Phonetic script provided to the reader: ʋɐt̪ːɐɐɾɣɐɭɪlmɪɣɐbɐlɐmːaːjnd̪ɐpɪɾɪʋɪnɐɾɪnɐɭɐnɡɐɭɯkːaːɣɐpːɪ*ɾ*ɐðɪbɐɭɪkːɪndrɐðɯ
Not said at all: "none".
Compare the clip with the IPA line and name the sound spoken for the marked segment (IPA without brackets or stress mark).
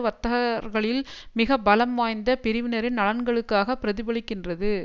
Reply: ɾ